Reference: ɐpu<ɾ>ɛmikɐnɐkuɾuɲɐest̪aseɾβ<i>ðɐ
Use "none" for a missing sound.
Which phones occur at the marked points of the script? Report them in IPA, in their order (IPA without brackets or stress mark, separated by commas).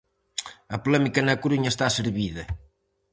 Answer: l, i